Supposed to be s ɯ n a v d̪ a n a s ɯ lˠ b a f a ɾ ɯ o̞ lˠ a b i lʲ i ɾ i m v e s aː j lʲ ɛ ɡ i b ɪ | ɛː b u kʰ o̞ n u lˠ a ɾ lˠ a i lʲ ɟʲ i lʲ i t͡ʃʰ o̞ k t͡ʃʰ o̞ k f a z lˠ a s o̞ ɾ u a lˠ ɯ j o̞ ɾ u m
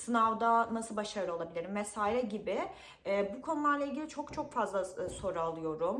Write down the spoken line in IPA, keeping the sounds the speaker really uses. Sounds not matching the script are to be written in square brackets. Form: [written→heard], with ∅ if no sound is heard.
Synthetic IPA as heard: s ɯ n a v d̪ a n a s ɯ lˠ b a [f→ʃ] a ɾ ɯ o̞ lˠ a b i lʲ i ɾ i m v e s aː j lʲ ɛ [ɡ→ɟ] i b ɪ | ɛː b u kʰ o̞ n u lˠ a ɾ lˠ a i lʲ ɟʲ i lʲ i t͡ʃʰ o̞ k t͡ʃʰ o̞ k f a z lˠ a s o̞ ɾ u a lˠ ɯ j o̞ ɾ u m